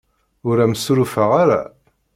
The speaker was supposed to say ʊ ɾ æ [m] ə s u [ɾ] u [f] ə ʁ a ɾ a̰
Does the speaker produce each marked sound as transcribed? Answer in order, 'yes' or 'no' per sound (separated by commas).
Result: yes, yes, yes